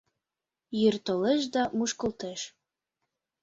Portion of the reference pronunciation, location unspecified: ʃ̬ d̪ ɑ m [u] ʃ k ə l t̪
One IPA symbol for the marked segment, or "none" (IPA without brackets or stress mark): u